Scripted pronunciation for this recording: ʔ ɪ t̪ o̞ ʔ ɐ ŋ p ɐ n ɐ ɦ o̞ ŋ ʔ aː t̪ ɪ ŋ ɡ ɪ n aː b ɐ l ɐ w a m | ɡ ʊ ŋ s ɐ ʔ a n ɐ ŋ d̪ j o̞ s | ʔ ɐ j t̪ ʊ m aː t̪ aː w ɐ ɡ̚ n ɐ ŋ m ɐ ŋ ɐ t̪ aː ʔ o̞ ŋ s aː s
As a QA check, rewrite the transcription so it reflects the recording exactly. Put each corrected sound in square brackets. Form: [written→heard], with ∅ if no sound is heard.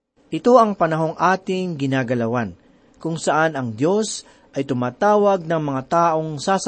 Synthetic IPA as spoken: ʔ ɪ t̪ o̞ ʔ ɐ ŋ p ɐ n ɐ ɦ o̞ ŋ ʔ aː t̪ ɪ ŋ ɡ ɪ n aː [b→ɡ] ɐ l ɐ w a [m→n] | [ɡ→k] ʊ ŋ s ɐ ʔ a n ɐ ŋ d̪ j o̞ s | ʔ ɐ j t̪ ʊ m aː t̪ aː w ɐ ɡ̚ n ɐ ŋ m ɐ ŋ [ɐ→a] t̪ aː ʔ o̞ ŋ s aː s